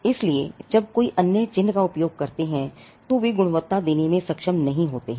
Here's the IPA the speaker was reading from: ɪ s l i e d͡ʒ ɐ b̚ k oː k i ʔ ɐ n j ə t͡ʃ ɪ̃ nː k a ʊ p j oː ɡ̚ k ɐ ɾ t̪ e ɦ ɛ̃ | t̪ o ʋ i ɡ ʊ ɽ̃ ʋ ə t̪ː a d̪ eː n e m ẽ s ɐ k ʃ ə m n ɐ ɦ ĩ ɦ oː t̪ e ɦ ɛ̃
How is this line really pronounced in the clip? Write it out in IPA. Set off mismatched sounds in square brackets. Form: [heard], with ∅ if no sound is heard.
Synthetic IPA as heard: ɪ s l i e d͡ʒ ɐ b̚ k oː [∅] i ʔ ɐ n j ə t͡ʃ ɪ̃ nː k a ʊ p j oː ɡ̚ k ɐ ɾ t̪ e ɦ ɛ̃ | t̪ o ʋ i ɡ ʊ ɽ̃ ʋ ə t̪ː a d̪ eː n e m ẽ s ɐ k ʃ ə m n ɐ ɦ ĩ ɦ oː t̪ e ɦ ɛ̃